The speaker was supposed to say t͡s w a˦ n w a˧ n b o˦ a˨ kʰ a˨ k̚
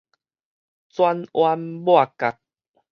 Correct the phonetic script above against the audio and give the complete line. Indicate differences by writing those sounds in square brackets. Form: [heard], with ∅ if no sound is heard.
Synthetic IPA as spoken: t͡s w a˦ n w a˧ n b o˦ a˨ [k] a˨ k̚